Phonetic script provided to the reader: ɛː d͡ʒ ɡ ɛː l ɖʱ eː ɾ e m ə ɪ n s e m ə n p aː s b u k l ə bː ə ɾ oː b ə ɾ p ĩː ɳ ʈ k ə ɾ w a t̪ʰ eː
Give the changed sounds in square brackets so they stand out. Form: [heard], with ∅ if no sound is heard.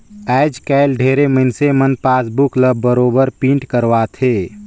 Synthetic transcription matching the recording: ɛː d͡ʒ [k] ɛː l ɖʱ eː ɾ e m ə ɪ n s e m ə n p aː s b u k l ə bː ə ɾ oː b ə ɾ p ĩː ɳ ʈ k ə ɾ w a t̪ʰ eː

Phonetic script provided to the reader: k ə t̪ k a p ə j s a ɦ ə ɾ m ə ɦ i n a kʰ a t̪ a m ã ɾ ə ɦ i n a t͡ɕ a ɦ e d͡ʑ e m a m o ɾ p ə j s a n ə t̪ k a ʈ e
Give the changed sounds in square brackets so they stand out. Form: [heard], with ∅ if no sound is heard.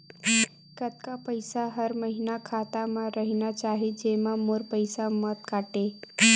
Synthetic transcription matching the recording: k ə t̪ k a p ə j s a ɦ ə ɾ m ə ɦ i n a kʰ a t̪ a m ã ɾ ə ɦ i n a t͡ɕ a ɦ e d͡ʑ e m a m o ɾ p ə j s a [m] ə t̪ k a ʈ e

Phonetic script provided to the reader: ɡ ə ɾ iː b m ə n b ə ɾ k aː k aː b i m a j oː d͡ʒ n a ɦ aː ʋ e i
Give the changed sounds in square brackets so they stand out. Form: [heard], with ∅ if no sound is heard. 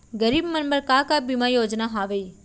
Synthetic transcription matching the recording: ɡ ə ɾ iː b m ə n b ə ɾ k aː k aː b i m a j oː d͡ʒ n a ɦ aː ʋ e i

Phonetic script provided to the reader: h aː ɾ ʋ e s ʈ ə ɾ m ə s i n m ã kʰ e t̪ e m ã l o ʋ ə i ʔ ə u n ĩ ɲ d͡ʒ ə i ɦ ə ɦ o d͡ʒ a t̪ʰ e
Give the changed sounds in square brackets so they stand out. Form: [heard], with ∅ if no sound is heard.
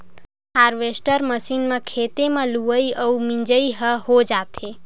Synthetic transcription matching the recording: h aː ɾ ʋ e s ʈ ə ɾ m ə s i n m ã kʰ e t̪ e m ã l [u] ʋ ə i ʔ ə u [m] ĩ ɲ d͡ʒ ə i ɦ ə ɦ o d͡ʒ a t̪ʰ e

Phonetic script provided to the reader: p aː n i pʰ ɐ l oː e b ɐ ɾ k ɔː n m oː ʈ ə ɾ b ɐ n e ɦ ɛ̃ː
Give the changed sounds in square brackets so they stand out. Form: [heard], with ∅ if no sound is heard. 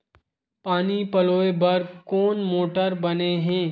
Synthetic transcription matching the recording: p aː n i [p] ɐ l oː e b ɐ ɾ k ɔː n m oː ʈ ə ɾ b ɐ n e ɦ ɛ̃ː

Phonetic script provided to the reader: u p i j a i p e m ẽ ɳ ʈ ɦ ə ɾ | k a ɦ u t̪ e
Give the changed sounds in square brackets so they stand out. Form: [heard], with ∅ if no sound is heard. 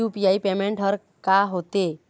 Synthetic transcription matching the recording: u p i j a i p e m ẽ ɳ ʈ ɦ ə ɾ | k a ɦ [o] t̪ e

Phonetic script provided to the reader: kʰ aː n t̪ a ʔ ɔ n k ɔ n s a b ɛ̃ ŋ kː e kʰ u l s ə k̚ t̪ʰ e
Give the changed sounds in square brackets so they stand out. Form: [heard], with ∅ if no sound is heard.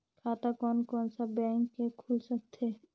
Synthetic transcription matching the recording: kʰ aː [∅] t̪ a [k] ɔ n k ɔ n s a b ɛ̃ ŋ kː e kʰ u l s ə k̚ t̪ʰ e

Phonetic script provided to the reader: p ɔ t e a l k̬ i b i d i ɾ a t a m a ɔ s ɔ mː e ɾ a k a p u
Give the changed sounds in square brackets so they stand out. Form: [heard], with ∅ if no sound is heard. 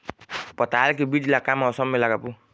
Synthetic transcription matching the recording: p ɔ t [a] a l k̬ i b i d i [l] a [k] a m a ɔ s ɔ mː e [l] a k a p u

